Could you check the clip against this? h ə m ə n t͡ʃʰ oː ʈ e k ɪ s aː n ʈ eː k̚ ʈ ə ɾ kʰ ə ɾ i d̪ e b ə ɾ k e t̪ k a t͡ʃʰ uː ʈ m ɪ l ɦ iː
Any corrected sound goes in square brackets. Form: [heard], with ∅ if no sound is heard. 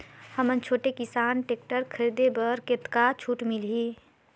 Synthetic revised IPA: h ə m ə n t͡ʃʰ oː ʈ e k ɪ s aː n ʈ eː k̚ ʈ ə ɾ kʰ ə ɾ i d̪ e b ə ɾ k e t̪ k a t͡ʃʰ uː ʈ m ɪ l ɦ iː